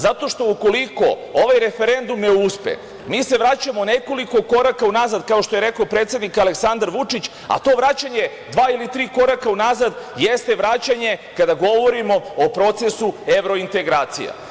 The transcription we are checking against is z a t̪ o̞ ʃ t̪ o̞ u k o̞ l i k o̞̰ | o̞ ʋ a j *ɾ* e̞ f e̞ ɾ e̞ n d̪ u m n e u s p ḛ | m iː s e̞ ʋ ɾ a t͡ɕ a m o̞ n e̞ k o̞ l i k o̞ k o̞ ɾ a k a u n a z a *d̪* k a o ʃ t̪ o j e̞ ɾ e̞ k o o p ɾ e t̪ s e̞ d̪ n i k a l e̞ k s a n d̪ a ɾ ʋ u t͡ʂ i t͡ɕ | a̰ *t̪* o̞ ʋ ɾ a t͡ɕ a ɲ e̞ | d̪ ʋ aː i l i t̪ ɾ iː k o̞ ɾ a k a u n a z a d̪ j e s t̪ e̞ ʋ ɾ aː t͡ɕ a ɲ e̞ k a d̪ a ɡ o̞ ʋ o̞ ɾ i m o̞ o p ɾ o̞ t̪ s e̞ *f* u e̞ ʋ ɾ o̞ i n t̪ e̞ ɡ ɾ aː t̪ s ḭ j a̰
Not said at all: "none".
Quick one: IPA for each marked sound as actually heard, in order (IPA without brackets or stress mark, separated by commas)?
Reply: ɾ, d̪, t̪, s